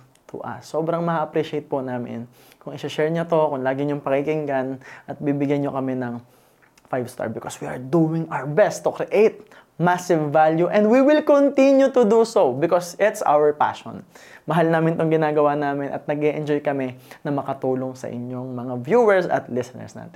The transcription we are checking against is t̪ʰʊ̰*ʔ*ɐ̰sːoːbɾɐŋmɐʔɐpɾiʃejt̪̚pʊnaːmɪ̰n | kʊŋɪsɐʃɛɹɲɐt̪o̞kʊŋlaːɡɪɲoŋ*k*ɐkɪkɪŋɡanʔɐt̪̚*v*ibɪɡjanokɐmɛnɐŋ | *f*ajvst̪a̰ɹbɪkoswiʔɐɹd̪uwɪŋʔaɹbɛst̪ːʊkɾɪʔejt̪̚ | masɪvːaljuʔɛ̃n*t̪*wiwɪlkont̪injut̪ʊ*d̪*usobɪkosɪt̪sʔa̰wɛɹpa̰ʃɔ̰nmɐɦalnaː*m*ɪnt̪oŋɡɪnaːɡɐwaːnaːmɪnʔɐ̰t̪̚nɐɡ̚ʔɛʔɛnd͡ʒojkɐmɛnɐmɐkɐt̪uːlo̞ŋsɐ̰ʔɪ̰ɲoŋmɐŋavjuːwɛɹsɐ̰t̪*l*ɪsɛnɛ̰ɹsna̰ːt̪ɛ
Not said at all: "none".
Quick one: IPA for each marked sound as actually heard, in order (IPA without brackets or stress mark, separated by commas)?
ʔ, p, b, f, d̪, d̪, m, l